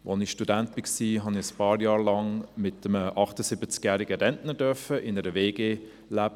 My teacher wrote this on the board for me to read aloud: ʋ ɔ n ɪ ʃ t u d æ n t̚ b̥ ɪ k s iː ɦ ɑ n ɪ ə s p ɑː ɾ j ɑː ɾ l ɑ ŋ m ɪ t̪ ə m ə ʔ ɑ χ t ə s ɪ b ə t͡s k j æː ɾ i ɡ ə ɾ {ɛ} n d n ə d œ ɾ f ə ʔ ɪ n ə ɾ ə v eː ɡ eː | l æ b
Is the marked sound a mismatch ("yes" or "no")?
no